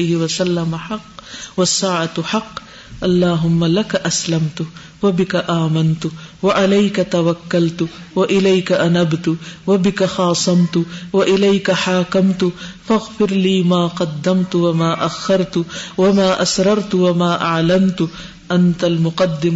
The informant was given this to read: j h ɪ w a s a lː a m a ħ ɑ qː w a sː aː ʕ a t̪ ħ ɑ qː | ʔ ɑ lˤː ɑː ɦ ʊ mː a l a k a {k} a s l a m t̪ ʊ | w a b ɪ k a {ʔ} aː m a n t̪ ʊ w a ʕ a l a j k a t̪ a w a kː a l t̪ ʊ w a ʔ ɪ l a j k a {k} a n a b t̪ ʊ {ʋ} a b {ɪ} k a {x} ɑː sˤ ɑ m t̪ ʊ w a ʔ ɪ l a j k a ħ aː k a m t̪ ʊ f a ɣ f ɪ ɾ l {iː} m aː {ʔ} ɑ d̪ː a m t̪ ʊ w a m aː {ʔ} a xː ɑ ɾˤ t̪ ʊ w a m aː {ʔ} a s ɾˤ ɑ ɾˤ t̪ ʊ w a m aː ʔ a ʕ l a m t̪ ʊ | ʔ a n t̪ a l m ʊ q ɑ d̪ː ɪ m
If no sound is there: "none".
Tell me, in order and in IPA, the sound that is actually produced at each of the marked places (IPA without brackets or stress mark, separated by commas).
ʔ, ʔ, ʔ, w, ɪ, x, iː, q, ʔ, ʔ